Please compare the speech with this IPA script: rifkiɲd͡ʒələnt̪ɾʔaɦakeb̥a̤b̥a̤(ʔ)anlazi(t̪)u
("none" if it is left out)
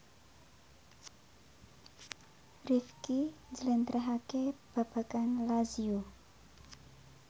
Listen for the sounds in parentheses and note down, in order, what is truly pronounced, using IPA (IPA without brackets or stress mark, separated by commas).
k, none